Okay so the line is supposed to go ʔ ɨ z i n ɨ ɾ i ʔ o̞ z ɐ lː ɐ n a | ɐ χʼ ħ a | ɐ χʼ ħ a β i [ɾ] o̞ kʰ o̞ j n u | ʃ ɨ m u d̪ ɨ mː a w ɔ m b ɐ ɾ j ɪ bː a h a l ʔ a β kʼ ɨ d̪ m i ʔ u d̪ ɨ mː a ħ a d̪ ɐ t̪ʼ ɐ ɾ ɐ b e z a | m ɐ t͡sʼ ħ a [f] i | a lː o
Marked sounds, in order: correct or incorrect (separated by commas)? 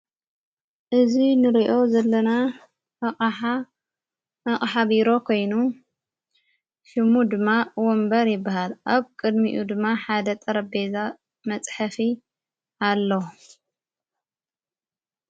correct, correct